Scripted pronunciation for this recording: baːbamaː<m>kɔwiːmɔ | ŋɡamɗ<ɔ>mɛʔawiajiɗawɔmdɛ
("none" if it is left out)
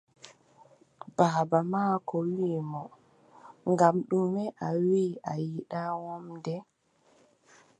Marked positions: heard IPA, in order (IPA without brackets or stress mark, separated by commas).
none, u